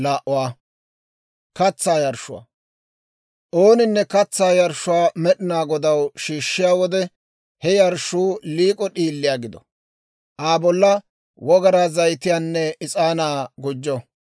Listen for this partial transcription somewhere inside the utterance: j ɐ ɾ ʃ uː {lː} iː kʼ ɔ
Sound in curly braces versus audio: incorrect: l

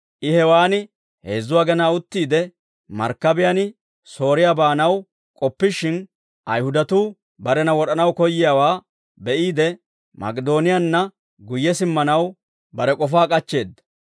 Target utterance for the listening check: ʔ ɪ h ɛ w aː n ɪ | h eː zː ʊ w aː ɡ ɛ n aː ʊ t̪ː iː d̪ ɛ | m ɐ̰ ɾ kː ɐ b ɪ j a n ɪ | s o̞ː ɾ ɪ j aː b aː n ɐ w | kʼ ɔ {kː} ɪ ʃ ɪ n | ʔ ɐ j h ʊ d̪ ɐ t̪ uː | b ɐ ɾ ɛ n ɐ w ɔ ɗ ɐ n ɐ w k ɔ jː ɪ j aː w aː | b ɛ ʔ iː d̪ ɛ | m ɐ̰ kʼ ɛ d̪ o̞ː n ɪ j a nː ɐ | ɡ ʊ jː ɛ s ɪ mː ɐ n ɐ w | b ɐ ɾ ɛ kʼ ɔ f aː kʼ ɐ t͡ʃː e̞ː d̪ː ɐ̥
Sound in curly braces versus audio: incorrect: pː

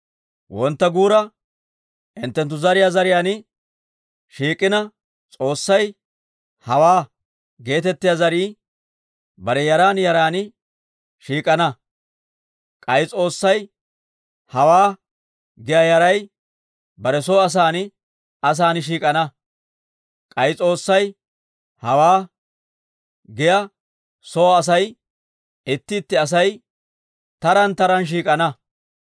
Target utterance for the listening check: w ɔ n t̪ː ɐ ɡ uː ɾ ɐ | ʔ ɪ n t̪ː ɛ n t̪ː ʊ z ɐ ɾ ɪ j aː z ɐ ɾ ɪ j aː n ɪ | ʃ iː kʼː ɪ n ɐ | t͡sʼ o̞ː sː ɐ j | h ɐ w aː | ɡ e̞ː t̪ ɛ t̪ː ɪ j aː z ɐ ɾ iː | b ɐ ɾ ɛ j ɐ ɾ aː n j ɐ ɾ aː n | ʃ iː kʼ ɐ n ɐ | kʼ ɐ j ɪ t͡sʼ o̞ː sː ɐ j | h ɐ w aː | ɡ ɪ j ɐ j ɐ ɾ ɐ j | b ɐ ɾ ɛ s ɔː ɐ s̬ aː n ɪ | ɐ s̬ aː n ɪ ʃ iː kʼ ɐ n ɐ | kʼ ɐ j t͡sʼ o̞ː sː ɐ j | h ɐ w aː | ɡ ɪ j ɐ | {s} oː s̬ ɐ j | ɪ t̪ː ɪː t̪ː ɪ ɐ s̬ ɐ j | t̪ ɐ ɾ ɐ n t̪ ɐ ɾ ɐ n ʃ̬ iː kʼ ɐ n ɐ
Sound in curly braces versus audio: correct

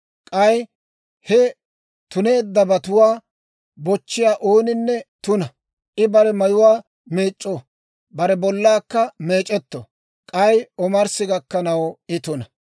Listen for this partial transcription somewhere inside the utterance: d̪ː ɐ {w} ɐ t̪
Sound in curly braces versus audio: incorrect: b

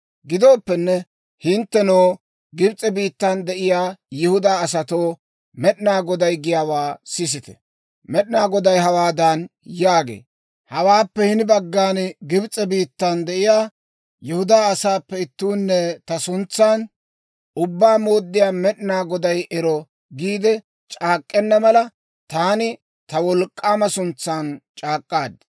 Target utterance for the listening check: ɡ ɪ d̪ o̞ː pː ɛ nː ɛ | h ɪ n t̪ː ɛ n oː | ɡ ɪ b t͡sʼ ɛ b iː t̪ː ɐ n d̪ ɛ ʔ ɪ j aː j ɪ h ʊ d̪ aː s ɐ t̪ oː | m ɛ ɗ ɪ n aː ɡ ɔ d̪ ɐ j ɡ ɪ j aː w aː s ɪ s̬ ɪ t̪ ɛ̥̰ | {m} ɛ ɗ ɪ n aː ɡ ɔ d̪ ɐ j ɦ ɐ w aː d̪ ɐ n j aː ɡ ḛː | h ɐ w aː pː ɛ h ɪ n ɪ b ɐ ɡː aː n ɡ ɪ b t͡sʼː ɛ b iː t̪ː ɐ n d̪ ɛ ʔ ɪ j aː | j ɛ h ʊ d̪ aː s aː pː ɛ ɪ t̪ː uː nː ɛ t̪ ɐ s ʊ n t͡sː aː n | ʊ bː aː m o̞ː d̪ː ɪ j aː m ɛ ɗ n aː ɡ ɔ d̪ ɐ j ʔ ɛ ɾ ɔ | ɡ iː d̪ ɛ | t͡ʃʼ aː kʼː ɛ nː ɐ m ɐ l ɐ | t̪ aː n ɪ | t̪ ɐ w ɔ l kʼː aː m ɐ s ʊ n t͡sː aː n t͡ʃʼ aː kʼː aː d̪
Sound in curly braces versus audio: correct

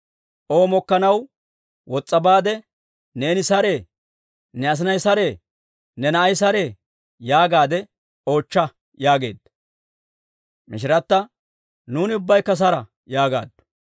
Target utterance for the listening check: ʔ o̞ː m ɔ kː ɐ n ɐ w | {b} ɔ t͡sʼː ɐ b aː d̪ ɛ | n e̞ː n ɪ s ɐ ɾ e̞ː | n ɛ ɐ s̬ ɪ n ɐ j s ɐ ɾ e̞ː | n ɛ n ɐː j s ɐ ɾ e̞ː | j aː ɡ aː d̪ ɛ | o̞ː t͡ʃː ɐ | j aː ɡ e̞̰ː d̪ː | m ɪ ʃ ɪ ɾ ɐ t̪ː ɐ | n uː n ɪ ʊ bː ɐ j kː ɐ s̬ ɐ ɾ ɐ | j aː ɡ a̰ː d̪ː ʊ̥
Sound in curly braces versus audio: incorrect: w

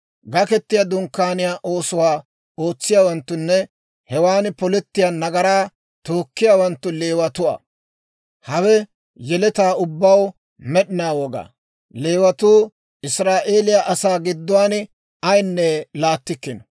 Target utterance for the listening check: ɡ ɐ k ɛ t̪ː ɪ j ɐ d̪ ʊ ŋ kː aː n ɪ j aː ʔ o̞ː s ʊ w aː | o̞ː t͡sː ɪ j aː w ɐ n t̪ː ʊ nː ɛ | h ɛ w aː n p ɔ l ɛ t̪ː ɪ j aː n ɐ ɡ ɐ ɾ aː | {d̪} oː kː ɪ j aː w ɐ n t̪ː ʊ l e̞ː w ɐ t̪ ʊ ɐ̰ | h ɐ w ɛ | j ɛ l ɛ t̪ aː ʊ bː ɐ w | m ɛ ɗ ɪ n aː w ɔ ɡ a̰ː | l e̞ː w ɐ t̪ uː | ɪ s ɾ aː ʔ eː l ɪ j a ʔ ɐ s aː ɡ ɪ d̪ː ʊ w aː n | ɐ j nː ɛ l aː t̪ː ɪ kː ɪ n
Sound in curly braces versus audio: incorrect: t̪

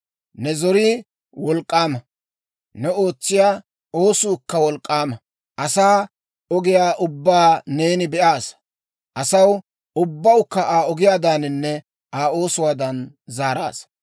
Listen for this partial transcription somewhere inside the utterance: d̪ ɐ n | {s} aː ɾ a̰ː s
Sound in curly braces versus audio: incorrect: z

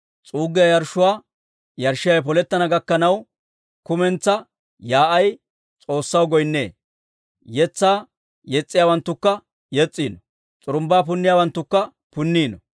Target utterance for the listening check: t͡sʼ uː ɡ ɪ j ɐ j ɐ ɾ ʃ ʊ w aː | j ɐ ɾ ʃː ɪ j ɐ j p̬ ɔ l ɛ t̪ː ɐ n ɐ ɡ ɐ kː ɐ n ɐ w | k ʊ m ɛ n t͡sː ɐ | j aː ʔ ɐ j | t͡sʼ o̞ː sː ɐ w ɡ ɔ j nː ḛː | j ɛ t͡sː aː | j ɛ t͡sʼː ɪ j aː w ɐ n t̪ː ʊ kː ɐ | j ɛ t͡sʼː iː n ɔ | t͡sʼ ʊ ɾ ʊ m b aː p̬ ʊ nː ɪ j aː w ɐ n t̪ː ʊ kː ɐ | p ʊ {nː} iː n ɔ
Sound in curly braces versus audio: correct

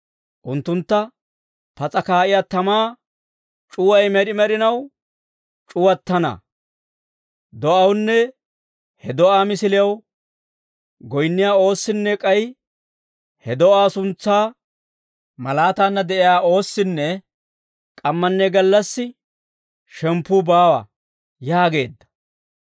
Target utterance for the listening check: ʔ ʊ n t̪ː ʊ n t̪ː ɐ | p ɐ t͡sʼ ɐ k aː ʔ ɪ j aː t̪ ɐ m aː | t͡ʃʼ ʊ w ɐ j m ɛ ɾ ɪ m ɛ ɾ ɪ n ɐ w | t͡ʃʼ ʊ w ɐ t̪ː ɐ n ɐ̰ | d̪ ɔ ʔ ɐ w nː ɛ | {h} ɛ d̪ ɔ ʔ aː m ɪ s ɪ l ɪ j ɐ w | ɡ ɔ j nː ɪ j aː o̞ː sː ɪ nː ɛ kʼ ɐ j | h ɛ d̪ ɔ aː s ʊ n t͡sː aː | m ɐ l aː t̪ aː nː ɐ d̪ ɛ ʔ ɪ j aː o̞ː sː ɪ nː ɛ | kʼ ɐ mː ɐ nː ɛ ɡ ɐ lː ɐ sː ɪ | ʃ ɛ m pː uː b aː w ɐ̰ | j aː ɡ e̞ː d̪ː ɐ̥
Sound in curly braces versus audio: correct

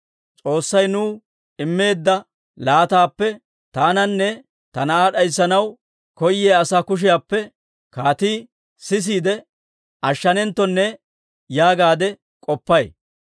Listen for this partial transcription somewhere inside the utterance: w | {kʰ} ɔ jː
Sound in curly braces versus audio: incorrect: k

